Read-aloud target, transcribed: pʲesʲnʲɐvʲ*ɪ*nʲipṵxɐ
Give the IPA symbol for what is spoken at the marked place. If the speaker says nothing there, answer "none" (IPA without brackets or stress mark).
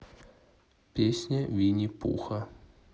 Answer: i